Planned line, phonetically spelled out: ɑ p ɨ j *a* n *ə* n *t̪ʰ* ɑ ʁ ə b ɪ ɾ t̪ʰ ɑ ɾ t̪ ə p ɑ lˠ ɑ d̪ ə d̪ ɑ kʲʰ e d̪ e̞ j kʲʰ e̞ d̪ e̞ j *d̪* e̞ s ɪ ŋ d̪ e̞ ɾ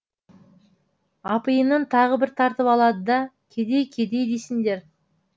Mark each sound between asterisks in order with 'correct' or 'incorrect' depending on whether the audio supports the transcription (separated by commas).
incorrect, correct, correct, correct